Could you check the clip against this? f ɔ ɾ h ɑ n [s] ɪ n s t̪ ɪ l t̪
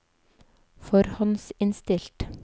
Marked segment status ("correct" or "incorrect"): correct